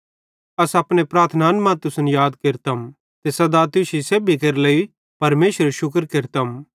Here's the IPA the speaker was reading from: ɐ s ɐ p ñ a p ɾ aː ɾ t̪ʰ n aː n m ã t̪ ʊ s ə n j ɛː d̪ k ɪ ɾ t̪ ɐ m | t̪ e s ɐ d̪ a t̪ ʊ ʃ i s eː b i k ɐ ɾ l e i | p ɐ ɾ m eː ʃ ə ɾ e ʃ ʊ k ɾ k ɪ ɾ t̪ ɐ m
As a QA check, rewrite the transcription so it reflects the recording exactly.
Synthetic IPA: ɐ s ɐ p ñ e p ɾ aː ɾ t̪ʰ n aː n m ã t̪ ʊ s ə n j aː d̪ k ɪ ɾ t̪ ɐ m | t̪ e s ɐ d̪ a t̪ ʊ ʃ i s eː b i k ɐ ɾ l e i | p ɐ ɾ m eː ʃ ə ɾ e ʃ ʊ k ɾ k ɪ ɾ t̪ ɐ m